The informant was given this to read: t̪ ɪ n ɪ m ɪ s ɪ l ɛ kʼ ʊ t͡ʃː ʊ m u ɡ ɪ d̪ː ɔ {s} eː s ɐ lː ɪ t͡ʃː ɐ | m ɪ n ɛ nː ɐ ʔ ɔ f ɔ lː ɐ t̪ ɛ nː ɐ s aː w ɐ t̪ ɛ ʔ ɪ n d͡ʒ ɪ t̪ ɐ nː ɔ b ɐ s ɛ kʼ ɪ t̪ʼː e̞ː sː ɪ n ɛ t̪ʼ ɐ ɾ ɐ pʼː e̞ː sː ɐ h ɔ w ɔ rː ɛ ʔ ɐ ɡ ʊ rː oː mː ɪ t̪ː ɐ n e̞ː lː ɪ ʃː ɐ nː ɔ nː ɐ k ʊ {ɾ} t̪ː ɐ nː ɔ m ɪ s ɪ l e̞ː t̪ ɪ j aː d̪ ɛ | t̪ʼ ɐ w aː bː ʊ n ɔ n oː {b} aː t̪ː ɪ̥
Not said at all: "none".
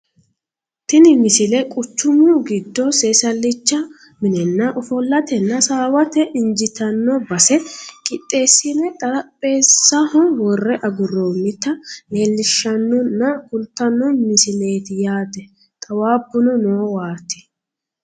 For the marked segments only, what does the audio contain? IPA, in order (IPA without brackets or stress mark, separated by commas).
s, l, w